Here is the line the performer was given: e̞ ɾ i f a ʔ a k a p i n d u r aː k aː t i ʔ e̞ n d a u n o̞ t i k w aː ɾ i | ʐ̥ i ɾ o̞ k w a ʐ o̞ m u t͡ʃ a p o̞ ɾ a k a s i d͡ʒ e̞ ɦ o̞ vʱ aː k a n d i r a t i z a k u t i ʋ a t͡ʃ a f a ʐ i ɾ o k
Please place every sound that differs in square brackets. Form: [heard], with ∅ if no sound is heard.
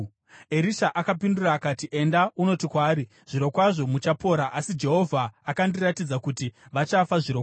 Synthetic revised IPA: e̞ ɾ i [ʃ] a ʔ a k a p i n d u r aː k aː t i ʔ e̞ n d a u n o̞ t i k w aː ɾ i | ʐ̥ i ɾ o̞ k w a ʐ o̞ m u t͡ʃ a p o̞ ɾ a [ʔ] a s i d͡ʒ e̞ ɦ o̞ vʱ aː k a n d i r a t i [d͡z] a k u t i ʋ a t͡ʃ a f a ʐ i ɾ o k